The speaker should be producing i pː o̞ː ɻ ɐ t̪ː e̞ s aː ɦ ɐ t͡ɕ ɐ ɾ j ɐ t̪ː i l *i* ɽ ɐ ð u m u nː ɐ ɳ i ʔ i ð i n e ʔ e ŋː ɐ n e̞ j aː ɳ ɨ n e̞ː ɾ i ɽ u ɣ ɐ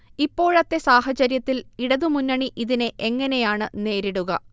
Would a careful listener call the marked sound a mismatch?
no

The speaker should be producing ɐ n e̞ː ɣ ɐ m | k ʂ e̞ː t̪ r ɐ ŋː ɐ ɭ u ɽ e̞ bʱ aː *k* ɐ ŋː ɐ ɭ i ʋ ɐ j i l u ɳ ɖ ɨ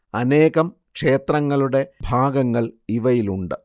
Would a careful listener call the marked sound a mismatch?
yes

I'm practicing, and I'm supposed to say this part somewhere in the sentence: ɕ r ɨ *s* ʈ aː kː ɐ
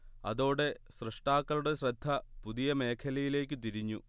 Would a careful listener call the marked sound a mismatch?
yes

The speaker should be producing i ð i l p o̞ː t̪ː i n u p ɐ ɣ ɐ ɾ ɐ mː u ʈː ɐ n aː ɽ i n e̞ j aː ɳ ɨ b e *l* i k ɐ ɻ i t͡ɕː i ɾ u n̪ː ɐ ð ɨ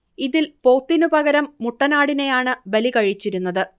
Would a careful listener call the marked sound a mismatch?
no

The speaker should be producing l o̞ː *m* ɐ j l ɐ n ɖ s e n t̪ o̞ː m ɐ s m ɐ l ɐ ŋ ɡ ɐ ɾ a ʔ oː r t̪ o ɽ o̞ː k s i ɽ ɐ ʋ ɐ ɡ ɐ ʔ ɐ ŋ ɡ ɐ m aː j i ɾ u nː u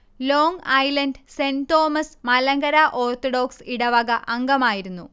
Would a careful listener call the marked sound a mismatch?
yes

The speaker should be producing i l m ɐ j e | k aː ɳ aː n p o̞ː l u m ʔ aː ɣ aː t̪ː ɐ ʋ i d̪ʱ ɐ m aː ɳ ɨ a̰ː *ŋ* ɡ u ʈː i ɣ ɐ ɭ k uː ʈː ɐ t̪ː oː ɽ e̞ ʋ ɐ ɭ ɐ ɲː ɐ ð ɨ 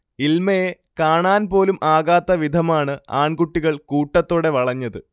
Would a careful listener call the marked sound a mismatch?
yes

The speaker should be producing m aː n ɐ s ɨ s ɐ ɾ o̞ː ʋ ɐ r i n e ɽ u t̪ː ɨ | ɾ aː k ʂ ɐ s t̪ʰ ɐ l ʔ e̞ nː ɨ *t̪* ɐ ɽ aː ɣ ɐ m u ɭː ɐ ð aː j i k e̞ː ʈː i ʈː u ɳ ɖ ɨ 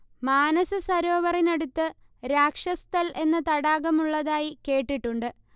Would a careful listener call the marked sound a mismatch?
no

